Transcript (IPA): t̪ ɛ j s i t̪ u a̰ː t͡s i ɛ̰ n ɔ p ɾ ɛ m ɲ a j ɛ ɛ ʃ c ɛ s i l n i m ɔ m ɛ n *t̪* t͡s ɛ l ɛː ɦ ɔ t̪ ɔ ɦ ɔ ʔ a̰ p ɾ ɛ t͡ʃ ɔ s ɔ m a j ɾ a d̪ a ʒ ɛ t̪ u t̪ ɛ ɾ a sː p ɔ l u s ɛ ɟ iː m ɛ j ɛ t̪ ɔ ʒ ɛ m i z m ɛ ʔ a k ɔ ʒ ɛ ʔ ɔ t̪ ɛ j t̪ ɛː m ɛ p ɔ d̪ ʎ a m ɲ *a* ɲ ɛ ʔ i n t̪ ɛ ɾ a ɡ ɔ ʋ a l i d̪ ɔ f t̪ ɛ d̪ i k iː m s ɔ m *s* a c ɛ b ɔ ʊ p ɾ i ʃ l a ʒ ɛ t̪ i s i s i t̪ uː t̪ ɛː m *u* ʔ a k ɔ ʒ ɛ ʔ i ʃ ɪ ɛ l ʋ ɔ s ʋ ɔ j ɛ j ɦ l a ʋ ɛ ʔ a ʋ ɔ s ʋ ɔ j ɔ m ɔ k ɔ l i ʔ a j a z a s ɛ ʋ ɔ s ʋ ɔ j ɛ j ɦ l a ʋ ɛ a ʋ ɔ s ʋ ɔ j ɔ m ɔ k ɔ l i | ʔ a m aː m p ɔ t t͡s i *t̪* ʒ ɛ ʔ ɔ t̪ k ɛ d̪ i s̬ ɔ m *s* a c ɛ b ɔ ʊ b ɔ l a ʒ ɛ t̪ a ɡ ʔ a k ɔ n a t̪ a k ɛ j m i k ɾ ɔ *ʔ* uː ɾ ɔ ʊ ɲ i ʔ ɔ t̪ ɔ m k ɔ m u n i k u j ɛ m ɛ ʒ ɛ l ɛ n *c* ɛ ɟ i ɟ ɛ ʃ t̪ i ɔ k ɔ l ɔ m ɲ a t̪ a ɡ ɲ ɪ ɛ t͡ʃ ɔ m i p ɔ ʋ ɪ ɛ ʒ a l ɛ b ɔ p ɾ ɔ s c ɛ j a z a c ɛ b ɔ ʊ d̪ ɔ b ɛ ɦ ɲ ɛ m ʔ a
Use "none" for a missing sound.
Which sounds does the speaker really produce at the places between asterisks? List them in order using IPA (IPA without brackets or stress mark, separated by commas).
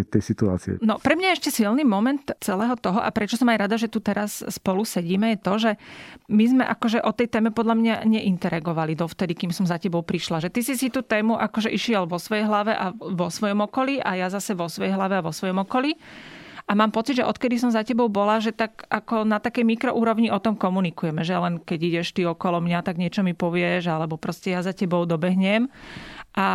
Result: t̪, a, z, u, d̪, z, ʔ, k